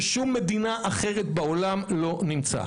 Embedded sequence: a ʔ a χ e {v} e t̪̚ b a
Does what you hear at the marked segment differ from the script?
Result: yes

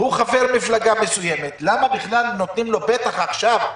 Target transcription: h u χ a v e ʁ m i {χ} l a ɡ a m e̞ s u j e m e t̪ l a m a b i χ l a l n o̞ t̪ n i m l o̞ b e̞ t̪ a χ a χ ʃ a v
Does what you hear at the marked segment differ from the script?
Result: yes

